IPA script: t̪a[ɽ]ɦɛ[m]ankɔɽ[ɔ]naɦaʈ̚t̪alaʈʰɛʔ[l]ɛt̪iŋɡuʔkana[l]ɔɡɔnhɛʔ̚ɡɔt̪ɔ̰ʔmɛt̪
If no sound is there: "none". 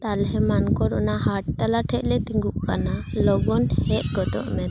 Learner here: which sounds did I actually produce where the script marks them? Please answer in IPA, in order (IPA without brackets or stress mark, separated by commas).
l, m, ɔ, l, l